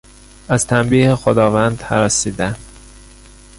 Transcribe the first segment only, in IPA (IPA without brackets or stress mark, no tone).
æ